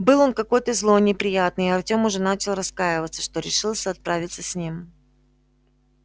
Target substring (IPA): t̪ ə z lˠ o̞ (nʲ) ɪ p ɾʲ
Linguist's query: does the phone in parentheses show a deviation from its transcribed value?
no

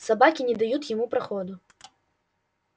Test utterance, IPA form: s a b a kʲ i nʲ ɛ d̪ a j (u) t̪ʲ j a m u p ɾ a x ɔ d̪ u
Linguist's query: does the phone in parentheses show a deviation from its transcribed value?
no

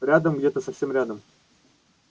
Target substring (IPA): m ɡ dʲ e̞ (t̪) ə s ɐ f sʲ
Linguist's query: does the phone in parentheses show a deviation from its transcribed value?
no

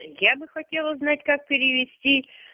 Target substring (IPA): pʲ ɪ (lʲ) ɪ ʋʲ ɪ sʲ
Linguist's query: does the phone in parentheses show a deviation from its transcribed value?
yes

